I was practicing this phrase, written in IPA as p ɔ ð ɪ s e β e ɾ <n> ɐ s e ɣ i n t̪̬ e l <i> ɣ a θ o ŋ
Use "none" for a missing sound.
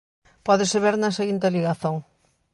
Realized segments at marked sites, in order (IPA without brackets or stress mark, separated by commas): n, i